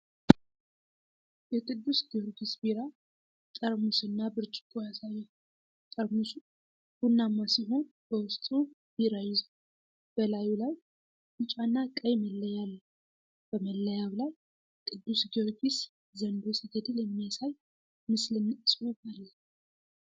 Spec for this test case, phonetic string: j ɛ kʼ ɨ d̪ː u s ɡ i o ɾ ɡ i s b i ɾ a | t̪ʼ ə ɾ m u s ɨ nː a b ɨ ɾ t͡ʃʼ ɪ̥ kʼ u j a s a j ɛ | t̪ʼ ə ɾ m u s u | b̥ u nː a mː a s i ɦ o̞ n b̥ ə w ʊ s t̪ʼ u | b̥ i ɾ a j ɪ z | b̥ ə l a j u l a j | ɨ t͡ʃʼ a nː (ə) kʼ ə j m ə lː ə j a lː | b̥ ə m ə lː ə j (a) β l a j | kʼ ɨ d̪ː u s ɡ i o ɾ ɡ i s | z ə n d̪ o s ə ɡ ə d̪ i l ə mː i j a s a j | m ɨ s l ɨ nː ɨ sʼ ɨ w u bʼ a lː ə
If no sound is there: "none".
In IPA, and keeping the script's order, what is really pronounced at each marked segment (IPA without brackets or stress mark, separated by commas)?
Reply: a, a